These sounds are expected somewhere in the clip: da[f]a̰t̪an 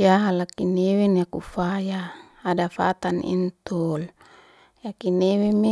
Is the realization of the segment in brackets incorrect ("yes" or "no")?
no